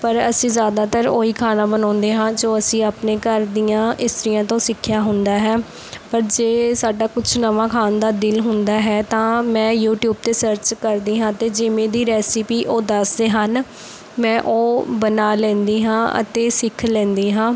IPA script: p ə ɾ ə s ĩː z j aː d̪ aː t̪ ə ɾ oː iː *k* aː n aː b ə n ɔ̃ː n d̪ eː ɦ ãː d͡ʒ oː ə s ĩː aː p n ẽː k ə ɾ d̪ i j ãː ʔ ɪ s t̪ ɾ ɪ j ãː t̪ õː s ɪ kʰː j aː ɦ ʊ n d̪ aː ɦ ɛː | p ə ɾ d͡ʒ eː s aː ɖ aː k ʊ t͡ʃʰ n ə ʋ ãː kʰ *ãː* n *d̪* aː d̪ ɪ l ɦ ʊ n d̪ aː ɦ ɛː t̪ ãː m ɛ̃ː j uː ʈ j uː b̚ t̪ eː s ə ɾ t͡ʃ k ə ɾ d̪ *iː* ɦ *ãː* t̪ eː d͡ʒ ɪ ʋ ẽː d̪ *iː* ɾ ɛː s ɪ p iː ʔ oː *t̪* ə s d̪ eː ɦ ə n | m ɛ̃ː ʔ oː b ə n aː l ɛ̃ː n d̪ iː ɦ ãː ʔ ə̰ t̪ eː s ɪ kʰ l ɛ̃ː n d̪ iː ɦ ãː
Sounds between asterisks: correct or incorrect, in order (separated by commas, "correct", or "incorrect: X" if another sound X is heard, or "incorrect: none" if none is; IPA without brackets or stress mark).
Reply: incorrect: kʰ, incorrect: aː, correct, correct, correct, correct, incorrect: d̪